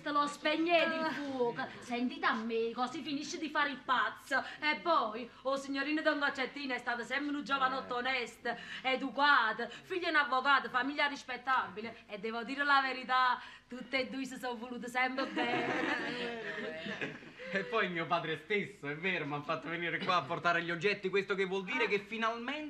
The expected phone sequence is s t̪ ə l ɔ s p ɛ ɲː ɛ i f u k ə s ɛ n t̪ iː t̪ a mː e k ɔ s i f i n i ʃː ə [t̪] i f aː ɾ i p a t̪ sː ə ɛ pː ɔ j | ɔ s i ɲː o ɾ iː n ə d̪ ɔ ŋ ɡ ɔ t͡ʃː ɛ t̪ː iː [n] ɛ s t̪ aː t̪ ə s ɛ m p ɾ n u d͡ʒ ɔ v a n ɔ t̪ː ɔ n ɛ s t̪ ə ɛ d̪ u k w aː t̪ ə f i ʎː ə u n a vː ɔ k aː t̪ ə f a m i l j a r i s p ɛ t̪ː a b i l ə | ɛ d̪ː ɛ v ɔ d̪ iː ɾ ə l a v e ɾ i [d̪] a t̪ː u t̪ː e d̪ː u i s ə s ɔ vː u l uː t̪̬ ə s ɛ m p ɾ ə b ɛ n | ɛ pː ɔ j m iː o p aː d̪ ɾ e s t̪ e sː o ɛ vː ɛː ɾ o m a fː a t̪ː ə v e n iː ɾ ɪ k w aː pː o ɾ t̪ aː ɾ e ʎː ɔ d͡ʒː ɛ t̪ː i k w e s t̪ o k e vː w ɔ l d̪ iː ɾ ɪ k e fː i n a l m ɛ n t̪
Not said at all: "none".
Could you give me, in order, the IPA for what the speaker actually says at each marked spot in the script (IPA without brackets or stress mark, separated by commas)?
d̪, n, t̪